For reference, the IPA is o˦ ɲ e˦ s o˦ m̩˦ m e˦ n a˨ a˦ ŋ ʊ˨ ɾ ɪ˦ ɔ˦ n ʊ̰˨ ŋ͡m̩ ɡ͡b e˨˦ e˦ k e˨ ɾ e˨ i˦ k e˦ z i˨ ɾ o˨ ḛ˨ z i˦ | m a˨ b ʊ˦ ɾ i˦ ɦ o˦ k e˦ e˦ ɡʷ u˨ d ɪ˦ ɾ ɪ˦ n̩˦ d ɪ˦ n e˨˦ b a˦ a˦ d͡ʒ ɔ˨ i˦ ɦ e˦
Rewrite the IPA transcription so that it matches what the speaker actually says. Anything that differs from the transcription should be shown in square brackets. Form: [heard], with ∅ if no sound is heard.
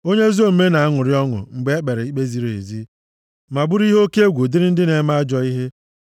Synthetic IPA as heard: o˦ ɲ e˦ [z] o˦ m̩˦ m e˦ n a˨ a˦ ŋ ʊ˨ ɾ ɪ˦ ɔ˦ [ŋ] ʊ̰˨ ŋ͡m̩ ɡ͡b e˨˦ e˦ [k͡p] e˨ ɾ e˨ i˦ [k͡p] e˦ z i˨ ɾ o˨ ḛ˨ z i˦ | m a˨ b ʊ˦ ɾ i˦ ɦ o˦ k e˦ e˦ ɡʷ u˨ d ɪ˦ ɾ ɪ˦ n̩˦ d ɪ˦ n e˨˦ [m] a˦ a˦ d͡ʒ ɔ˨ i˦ ɦ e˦

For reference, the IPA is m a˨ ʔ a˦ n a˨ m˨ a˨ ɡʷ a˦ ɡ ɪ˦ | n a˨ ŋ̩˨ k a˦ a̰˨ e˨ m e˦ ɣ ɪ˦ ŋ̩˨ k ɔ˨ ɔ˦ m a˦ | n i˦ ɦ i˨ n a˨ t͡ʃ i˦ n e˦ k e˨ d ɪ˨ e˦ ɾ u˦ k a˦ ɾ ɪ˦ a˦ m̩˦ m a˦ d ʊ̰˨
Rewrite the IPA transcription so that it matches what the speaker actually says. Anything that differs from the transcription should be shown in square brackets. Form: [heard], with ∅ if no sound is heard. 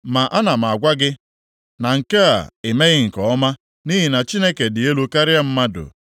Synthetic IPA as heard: m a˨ ʔ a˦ n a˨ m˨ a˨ ɡʷ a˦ ɡ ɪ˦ | n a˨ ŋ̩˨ k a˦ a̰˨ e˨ m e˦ ɣ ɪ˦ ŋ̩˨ k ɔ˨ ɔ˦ m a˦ | n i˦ ɦ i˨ n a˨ t͡ʃ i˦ n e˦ k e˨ d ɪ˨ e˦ [l] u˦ k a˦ ɾ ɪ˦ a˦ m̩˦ m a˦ d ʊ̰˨

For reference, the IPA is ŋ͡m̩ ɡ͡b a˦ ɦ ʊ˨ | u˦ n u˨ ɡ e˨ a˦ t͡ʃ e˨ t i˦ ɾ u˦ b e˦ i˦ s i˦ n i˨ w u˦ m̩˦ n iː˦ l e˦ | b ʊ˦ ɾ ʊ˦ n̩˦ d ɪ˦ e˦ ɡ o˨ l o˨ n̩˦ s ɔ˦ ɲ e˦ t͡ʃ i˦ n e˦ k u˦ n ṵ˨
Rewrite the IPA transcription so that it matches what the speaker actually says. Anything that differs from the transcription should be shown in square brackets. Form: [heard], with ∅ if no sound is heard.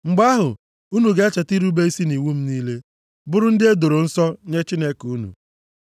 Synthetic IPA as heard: ŋ͡m̩ ɡ͡b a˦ ɦ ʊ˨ | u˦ n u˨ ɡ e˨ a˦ t͡ʃ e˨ t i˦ ɾ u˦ b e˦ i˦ s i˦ n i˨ w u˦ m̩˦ n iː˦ l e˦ | b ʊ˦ ɾ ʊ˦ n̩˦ d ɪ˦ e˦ [d] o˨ [ɾ] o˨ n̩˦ s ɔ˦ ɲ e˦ t͡ʃ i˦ n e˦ k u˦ n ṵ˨

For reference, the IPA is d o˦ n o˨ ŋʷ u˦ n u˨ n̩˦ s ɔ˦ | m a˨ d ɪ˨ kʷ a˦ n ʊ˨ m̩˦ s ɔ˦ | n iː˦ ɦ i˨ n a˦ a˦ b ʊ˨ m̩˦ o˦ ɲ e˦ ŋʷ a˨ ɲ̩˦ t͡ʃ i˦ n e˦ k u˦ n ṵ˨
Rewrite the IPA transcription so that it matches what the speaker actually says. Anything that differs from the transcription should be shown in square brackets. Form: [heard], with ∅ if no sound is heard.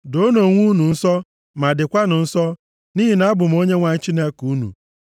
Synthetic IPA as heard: d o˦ n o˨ ŋʷ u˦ n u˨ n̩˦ s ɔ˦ | m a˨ d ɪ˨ kʷ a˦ n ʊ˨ [n̩˦] s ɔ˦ | n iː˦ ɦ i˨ n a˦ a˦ b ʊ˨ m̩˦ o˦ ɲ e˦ ŋʷ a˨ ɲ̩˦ t͡ʃ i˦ n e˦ k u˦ n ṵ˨

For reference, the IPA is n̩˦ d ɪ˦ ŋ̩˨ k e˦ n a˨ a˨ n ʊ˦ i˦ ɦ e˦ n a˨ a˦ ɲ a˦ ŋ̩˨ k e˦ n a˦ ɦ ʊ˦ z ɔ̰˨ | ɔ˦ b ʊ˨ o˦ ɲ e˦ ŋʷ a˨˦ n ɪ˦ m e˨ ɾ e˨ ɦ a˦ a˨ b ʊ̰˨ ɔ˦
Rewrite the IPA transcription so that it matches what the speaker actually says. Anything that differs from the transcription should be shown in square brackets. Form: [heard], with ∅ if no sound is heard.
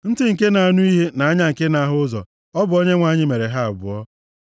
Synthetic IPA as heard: n̩˦ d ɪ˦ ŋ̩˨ k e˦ n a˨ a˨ n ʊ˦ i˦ ɦ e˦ n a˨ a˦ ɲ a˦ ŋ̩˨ k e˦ n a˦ ɦ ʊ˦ z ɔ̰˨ | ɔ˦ b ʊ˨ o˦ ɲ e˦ ŋʷ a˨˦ [ɲ] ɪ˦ m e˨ ɾ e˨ ɦ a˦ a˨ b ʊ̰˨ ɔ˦

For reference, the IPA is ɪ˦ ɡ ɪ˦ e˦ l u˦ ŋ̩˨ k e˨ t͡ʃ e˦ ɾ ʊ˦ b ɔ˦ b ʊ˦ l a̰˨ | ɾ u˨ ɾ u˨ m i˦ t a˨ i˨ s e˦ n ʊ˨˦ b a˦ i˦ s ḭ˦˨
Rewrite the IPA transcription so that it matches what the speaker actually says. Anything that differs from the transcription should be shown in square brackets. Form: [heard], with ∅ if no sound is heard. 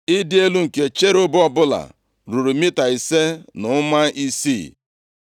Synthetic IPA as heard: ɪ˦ [d] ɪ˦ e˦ l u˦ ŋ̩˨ k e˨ t͡ʃ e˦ ɾ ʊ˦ b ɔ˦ b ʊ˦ l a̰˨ | ɾ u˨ ɾ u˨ m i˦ t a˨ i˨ s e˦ n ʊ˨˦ [m] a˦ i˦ s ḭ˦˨

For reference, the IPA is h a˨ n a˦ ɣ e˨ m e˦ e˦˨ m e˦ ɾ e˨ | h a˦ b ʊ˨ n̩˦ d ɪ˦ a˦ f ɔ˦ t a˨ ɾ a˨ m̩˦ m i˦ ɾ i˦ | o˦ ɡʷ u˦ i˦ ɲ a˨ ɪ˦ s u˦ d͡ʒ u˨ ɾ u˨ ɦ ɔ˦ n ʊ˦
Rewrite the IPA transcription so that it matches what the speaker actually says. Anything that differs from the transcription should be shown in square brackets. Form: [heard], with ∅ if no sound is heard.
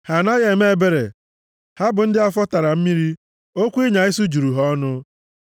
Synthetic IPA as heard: h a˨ n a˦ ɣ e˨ m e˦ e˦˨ [b] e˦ ɾ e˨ | h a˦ b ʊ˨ n̩˦ d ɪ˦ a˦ f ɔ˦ t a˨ ɾ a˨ m̩˦ m i˦ ɾ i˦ | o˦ [kʷ] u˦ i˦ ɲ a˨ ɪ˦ s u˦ d͡ʒ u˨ ɾ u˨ ɦ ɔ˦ n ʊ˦

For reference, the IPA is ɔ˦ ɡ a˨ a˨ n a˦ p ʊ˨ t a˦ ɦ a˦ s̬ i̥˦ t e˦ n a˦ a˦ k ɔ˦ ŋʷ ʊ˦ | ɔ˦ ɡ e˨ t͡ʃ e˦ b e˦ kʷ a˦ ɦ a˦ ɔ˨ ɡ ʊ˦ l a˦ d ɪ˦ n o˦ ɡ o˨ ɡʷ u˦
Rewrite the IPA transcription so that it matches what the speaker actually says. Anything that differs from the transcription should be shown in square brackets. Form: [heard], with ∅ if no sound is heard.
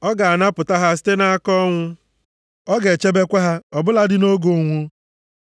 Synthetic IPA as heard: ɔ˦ ɡ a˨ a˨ n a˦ p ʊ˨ t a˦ ɦ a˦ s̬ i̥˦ t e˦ n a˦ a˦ k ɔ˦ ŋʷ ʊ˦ | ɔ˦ ɡ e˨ t͡ʃ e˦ b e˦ kʷ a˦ ɦ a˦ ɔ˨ [b] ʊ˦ l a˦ d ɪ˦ n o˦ ɡ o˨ [ŋʷ] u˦

